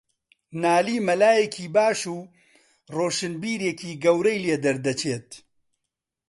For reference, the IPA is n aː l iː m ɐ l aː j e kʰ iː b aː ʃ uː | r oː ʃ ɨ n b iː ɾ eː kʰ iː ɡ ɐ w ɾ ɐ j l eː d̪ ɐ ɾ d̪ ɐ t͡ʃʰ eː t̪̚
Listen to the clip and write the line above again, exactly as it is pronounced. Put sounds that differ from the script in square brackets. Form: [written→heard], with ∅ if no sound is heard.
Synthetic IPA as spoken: n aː l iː m ɐ l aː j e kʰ iː b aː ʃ uː | r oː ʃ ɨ n b iː ɾ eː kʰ iː ɡ ɐ w ɾ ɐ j l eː d̪ ɐ ɾ d̪ ɐ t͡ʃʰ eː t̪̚